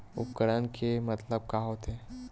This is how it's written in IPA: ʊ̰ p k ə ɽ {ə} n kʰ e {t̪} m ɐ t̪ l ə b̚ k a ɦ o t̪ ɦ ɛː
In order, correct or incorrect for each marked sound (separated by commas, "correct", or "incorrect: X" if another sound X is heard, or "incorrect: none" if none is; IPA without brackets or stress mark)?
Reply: correct, incorrect: none